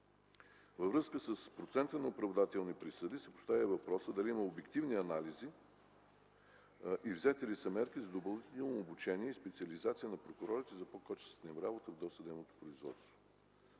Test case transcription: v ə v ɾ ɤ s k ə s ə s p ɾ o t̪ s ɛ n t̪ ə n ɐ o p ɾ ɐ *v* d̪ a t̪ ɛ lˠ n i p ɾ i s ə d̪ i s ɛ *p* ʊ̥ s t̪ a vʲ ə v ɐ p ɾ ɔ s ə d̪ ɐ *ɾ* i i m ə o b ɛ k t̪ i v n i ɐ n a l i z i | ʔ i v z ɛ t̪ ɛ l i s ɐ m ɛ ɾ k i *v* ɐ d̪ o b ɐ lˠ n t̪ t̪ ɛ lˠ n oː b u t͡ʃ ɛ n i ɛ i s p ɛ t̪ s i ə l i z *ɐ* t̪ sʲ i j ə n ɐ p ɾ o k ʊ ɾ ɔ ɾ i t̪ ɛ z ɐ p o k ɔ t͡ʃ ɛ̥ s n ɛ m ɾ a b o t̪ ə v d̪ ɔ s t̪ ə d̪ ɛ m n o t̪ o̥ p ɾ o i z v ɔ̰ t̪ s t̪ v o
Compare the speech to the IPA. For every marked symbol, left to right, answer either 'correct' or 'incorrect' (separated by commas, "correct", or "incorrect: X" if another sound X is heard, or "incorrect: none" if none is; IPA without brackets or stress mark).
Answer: correct, correct, incorrect: l, incorrect: z, incorrect: a